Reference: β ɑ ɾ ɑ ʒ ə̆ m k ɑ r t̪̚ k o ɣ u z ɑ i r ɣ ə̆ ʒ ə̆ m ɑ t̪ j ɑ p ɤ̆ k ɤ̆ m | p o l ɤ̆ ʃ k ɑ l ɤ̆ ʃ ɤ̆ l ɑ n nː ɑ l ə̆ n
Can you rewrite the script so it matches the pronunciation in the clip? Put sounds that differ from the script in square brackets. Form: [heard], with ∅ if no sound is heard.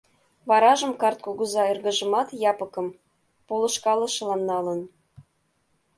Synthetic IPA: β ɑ ɾ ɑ ʒ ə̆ m k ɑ r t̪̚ k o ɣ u z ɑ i r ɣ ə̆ ʒ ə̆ m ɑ t̪ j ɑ p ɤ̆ k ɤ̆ m | p o l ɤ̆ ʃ k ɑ l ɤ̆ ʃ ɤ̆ l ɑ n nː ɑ l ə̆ n